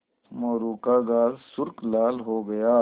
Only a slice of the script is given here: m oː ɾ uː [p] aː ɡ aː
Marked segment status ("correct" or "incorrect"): incorrect